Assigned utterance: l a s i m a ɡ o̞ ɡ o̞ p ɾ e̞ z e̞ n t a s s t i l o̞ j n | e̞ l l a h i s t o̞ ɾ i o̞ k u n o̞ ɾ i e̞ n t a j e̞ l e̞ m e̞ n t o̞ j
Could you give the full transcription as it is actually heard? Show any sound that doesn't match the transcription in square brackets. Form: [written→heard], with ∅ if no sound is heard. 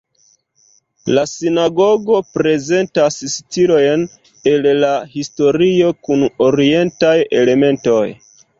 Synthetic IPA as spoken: l a s i [m→n] a ɡ o̞ ɡ o̞ p ɾ e̞ z e̞ n t a s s t i l o̞ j n | e̞ l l a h i s t o̞ ɾ i o̞ k u n o̞ ɾ i e̞ n t a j e̞ l e̞ m e̞ n t o̞ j